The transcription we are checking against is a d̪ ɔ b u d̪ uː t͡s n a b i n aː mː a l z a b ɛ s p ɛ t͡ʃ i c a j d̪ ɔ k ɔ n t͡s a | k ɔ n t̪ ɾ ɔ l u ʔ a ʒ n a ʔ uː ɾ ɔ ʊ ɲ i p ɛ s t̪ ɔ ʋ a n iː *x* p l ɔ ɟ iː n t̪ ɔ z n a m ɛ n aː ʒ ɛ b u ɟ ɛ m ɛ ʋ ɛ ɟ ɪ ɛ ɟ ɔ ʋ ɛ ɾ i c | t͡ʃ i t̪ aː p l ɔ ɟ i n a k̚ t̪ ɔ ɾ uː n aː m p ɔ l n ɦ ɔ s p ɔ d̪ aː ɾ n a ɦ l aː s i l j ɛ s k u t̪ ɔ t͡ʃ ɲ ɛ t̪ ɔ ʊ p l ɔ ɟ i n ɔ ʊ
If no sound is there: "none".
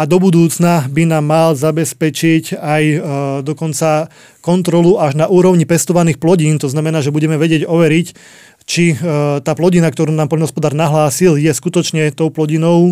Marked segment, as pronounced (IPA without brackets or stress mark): x